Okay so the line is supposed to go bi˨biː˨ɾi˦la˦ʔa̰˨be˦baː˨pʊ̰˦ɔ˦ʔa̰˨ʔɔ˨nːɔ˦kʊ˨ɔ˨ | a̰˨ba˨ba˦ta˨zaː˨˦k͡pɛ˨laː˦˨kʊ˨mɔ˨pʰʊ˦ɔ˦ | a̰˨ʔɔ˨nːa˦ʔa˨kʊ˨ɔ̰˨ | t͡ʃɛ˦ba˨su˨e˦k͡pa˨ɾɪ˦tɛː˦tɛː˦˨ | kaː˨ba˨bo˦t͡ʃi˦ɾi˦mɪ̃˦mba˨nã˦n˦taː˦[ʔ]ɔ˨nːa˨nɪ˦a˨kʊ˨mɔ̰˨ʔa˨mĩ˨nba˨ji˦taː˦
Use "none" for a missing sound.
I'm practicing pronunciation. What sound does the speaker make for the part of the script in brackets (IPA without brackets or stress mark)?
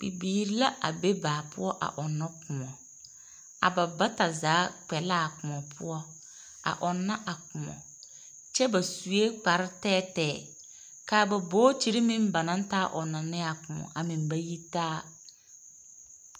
ʔ